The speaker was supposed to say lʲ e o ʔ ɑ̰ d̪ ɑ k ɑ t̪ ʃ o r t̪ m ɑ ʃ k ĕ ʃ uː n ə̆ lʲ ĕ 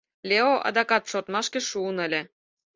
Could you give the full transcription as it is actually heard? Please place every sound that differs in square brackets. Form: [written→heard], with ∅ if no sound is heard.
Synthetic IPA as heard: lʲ e o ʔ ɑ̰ d̪ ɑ k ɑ t̪ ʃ o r t̪ m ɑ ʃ k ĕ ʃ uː n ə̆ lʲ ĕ